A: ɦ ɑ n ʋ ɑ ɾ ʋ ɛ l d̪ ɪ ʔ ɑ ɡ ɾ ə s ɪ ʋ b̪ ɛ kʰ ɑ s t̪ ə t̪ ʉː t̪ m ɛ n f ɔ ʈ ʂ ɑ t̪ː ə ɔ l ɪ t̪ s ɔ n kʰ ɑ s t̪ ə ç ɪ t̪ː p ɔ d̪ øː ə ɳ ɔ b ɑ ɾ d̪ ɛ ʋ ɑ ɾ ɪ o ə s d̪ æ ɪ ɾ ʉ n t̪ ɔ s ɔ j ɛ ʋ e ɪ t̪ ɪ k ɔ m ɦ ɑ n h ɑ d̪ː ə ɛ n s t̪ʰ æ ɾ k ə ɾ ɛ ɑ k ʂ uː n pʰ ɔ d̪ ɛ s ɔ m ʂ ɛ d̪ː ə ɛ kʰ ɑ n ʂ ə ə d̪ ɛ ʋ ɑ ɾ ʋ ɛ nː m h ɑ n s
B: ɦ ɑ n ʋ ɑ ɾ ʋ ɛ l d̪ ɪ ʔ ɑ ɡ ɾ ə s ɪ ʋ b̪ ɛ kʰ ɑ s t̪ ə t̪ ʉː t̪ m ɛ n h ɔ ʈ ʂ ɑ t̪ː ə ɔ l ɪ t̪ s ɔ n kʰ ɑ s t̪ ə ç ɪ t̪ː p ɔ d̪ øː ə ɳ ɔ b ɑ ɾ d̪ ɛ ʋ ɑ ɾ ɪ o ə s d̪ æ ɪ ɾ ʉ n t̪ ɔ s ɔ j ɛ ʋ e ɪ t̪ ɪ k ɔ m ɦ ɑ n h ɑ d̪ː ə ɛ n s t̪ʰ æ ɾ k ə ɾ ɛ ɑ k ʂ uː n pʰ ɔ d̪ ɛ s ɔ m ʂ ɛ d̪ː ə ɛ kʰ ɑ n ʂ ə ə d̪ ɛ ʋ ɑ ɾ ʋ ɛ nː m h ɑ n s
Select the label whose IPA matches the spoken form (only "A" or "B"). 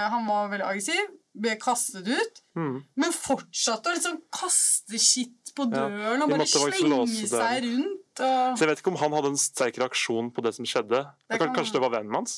A